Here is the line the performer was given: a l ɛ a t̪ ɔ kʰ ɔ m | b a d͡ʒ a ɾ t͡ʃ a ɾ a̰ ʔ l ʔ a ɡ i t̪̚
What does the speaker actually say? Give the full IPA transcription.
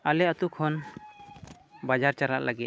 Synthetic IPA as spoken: a l ɛ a t̪ u kʰ ɔ n | b a d͡ʒ a ɾ t͡ʃ a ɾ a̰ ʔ l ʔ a ɡ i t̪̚